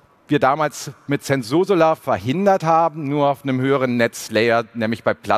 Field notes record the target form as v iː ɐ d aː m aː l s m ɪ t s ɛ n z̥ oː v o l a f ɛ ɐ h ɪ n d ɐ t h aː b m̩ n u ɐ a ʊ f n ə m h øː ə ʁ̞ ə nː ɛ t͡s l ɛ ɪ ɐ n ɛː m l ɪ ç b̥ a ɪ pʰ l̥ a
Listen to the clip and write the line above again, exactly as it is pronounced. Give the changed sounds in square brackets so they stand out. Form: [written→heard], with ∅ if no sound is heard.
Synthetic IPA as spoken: v iː ɐ d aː m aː l s m ɪ t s ɛ n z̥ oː [v→z] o l a f ɛ ɐ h ɪ n d ɐ t h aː b m̩ n [u→uː] ɐ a ʊ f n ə m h øː ə ʁ̞ ə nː ɛ t͡s l ɛ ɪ ɐ n ɛː m l ɪ ç b̥ a ɪ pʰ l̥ a